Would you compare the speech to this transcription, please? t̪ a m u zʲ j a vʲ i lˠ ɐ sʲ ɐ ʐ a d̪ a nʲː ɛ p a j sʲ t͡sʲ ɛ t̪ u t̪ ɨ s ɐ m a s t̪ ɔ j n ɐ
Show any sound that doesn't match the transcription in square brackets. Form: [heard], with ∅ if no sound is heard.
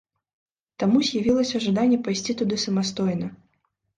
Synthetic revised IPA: t̪ a m u zʲ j a vʲ i lˠ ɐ sʲ ɐ ʐ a d̪ a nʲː ɛ p a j sʲ t͡sʲ [i] t̪ u [d̪] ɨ s ɐ m a s t̪ ɔ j n ɐ

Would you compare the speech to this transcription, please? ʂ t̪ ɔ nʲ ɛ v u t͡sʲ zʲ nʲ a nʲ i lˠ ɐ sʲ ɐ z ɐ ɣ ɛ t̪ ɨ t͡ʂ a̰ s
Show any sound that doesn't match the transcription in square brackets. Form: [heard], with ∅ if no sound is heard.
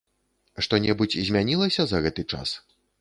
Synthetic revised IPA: ʂ t̪ ɔ nʲ ɛ [b] u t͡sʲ zʲ [mʲ] a nʲ i lˠ ɐ sʲ ɐ z ɐ ɣ ɛ t̪ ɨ t͡ʂ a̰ s

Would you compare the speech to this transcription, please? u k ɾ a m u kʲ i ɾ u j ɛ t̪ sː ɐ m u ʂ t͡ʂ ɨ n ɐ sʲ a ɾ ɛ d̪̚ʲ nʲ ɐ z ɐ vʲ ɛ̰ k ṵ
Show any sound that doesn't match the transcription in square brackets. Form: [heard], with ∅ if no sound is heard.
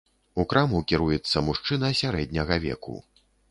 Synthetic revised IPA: u k ɾ a m u kʲ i ɾ u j ɛ t̪ sː ɐ m u ʂ t͡ʂ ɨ n ɐ sʲ a ɾ ɛ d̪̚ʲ nʲ ɐ [ɣ] ɐ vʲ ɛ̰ k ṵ

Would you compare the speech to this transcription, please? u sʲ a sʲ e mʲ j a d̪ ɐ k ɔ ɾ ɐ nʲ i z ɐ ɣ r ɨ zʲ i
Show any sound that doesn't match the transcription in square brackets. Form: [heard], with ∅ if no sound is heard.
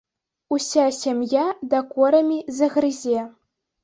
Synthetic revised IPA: u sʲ a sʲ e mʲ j a d̪ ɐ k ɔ ɾ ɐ [mʲ] i z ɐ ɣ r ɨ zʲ [e]

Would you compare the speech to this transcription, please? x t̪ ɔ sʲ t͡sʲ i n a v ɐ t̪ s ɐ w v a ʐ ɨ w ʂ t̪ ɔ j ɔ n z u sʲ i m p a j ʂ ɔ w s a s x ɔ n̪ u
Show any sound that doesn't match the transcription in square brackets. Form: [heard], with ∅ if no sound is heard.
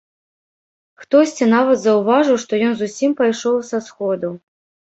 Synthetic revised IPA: x t̪ ɔ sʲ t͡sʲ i n a v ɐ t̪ [z] ɐ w v a ʐ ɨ w ʂ t̪ ɔ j ɔ n z u sʲ i m p a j ʂ ɔ w s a s x ɔ [d̪] u

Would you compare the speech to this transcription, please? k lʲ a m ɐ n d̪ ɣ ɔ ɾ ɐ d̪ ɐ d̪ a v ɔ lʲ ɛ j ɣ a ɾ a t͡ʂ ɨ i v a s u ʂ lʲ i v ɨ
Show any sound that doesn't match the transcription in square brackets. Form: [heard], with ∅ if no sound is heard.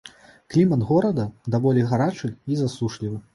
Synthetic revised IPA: k lʲ [i] m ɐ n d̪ ɣ ɔ ɾ ɐ d̪ ɐ d̪ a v ɔ lʲ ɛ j ɣ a ɾ a t͡ʂ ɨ i [z] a s u ʂ lʲ i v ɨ

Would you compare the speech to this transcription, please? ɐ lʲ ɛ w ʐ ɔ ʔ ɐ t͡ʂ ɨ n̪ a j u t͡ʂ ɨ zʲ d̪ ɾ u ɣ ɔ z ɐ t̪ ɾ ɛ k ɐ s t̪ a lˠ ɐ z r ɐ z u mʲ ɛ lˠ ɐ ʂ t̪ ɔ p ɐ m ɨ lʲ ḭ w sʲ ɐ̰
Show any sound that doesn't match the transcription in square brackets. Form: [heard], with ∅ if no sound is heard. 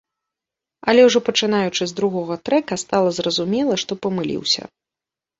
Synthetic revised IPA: ɐ lʲ ɛ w ʐ ɔ [p] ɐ t͡ʂ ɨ n̪ a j u t͡ʂ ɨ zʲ d̪ ɾ u ɣ ɔ [ɣ] ɐ t̪ ɾ ɛ k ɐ s t̪ a lˠ ɐ z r ɐ z u mʲ ɛ lˠ ɐ ʂ t̪ ɔ p ɐ m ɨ lʲ ḭ w sʲ ɐ̰

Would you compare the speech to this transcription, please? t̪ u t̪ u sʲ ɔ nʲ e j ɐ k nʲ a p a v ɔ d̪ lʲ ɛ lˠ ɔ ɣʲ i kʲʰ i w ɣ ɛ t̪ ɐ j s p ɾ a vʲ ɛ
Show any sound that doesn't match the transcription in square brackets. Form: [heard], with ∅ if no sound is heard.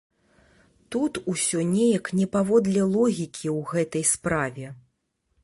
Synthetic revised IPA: t̪ u t̪ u sʲ ɔ nʲ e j ɐ k nʲ [ɛ] p a v ɔ d̪ lʲ ɛ lˠ ɔ ɣʲ i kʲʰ i w ɣ ɛ t̪ ɐ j s p ɾ a vʲ ɛ

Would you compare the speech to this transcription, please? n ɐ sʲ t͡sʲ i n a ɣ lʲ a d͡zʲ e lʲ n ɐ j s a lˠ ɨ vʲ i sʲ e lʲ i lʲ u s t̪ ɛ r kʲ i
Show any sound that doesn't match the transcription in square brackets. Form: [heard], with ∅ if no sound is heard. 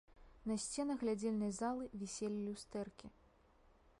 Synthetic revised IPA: n ɐ sʲ t͡sʲ [ɛ] n [ɐ] ɣ lʲ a d͡zʲ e lʲ n ɐ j [z] a lˠ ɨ vʲ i sʲ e lʲ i lʲ u s t̪ ɛ r kʲ i

